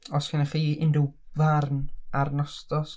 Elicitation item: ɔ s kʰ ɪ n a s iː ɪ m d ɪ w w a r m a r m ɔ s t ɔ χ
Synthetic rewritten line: ɔ s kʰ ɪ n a χ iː ɪ n d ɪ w v a r n a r n ɔ s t ɔ s